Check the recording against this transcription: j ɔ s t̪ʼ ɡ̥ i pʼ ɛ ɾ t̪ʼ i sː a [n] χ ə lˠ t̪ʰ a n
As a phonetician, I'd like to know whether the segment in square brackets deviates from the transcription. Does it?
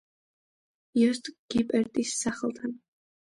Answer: yes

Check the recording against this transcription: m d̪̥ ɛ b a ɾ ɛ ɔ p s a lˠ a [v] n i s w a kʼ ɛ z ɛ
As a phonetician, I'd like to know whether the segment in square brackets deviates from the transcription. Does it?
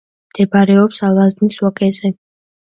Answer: yes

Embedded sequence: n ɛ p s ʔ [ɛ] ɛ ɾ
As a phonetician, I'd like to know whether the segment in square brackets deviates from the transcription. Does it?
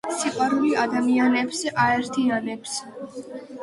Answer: yes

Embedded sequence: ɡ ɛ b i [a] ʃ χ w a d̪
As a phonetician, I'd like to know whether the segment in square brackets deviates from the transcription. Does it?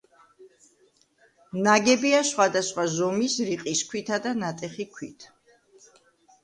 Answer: no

